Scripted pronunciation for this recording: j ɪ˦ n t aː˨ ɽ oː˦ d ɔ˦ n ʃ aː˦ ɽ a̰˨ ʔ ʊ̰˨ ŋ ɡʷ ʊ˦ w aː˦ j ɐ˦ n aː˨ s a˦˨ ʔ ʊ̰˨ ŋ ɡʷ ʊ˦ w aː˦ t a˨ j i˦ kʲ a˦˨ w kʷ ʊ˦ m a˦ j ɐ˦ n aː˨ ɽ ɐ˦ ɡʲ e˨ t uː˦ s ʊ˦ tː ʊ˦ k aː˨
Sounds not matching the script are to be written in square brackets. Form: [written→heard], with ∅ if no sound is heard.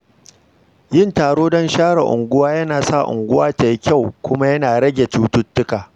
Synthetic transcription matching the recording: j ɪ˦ n t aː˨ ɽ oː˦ d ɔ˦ n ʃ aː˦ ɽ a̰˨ ʔ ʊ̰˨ ŋ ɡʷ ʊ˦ w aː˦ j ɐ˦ n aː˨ s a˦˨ ʔ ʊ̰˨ ŋ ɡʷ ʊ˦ w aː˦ t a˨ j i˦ kʲ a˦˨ w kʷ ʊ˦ m a˦ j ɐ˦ n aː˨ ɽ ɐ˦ ɡʲ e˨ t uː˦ [s→t] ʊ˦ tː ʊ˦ k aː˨